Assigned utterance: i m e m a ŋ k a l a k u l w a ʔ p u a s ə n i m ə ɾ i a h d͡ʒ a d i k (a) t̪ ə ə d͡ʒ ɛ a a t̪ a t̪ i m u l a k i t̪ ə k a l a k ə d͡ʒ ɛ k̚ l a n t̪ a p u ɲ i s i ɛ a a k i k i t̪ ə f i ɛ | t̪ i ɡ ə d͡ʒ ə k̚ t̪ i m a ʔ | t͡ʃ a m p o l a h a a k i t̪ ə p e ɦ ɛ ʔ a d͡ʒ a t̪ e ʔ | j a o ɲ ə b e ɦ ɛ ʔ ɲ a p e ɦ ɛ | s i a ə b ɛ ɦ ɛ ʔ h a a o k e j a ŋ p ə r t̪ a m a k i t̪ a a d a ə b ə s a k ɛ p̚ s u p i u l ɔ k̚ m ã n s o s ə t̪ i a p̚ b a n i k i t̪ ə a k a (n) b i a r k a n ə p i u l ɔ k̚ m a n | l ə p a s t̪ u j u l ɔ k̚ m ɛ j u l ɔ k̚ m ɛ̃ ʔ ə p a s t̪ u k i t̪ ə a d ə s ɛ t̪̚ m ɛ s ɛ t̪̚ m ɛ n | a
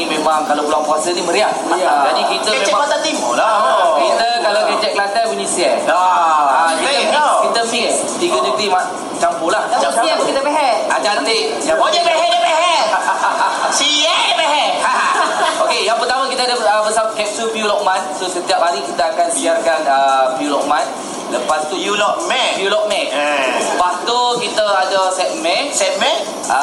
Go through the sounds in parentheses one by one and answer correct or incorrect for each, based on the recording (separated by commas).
incorrect, correct